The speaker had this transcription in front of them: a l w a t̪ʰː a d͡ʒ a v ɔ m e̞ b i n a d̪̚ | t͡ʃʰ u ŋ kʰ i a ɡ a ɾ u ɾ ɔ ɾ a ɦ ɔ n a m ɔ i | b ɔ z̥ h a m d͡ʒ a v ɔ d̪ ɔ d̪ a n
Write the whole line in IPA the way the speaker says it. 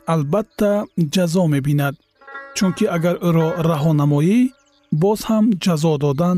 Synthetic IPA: a l b a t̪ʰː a d͡ʒ a z ɔ m e̞ b i n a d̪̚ | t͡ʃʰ u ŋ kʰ i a ɡ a ɾ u ɾ ɔ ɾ a ɦ ɔ n a m ɔ i | b ɔ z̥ h a m d͡ʒ a z ɔ d̪ ɔ d̪ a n